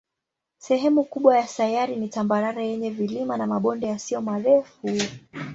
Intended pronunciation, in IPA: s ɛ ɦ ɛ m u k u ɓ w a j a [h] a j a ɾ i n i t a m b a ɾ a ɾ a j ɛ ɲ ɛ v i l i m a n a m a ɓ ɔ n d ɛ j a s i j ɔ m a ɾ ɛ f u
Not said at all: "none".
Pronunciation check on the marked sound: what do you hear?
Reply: s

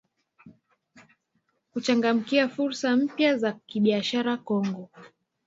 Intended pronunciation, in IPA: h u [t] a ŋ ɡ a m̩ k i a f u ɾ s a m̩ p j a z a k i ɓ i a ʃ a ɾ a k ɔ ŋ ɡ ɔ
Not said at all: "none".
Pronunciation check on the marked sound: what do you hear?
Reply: t͡ʃ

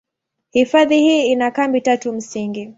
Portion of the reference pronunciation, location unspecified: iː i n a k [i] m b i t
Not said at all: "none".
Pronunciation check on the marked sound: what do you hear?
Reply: a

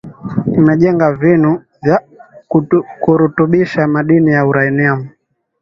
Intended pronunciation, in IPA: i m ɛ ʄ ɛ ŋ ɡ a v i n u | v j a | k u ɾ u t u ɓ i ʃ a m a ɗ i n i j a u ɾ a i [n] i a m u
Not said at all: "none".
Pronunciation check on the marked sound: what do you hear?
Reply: n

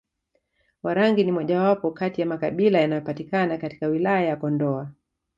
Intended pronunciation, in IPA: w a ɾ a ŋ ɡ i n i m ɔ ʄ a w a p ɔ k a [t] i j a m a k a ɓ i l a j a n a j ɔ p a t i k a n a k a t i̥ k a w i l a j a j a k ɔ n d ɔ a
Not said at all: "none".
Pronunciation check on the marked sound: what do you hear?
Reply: t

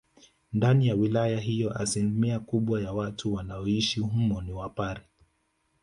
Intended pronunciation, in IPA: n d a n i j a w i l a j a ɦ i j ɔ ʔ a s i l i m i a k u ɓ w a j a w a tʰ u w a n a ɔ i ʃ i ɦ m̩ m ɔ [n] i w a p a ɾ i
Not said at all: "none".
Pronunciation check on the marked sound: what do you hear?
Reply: n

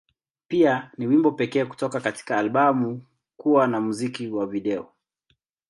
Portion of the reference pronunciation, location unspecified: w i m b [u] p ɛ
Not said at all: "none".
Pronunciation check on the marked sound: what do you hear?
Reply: ɔ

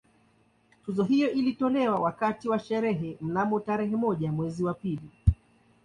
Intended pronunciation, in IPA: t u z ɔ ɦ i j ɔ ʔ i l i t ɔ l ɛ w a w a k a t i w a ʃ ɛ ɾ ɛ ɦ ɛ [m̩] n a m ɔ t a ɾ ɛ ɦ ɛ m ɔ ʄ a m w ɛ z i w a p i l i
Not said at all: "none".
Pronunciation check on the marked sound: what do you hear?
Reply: m̩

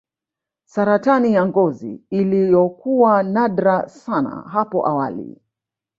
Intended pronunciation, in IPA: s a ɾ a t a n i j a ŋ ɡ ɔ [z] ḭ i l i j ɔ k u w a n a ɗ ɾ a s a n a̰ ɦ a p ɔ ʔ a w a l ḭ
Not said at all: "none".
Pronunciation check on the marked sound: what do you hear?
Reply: z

